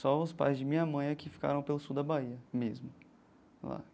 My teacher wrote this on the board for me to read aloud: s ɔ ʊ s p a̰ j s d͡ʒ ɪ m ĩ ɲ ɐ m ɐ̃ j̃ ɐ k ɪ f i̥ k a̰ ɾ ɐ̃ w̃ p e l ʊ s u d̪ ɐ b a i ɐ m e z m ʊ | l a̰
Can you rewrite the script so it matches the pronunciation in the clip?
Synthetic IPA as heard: s ɔ ʊ s p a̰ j z d͡ʒ ɪ m ĩ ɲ ɐ m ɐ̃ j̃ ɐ k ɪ f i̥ k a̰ ɾ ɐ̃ w̃ p e l ʊ s u d̪ ɐ b a i ɐ m e z m ʊ | l a̰